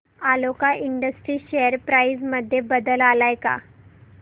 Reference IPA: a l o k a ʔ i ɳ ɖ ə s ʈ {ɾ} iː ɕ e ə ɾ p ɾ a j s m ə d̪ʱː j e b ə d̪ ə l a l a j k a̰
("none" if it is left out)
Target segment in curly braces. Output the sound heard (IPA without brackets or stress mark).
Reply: ɾ